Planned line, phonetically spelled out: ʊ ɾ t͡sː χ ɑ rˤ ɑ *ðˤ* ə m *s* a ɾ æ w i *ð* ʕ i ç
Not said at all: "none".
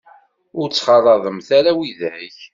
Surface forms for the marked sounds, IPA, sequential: ðˤ, θ, ð

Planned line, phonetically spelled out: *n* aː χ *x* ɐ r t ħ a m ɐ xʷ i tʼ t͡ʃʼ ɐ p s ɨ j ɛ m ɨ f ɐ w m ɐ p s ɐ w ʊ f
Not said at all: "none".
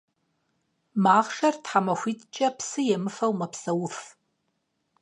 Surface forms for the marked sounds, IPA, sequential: m, ʂ

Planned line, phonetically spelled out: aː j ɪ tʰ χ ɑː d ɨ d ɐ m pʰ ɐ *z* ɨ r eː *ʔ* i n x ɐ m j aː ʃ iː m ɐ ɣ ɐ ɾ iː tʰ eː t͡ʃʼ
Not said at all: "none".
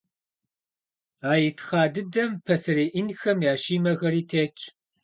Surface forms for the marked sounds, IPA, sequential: s, ʔ

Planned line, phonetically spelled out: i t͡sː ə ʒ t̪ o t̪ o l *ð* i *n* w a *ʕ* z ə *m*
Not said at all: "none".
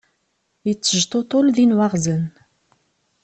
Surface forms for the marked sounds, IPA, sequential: ð, n, ʁ, n

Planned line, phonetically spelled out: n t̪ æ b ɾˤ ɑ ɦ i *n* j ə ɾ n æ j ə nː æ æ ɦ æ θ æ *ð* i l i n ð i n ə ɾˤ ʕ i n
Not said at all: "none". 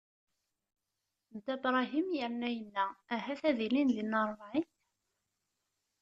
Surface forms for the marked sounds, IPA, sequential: m, ð

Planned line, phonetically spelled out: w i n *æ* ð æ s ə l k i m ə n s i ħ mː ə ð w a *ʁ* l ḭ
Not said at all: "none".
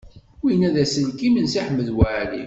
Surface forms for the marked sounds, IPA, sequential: æ, ʕ

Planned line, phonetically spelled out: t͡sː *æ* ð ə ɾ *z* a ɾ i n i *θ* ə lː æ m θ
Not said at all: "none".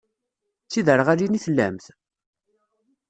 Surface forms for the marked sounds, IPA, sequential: i, ʁ, θ

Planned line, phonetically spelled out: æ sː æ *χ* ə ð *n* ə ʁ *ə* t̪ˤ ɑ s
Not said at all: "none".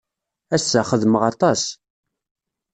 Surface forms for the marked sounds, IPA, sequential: χ, m, ɑ

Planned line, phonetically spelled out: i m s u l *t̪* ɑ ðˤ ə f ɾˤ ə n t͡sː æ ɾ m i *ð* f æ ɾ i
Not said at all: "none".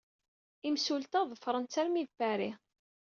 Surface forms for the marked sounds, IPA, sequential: t̪, ð

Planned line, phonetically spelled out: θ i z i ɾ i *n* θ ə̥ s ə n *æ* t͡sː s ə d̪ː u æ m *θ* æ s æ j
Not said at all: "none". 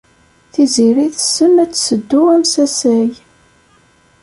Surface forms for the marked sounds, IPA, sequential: none, æ, s

